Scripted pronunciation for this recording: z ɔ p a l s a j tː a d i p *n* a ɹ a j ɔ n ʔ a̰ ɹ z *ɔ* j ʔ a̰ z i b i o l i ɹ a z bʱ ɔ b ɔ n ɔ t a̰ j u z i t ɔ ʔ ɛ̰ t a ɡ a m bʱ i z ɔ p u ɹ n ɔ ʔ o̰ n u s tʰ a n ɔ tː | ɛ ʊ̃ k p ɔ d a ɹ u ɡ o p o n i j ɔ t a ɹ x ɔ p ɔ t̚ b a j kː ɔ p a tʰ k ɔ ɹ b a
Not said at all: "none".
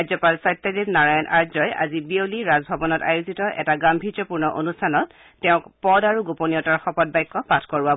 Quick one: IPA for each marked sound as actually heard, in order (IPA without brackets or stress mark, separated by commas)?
n, ɔ